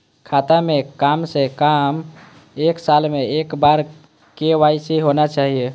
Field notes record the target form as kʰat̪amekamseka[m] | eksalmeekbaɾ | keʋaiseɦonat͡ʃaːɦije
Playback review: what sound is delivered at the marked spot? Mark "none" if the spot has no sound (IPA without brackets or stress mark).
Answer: m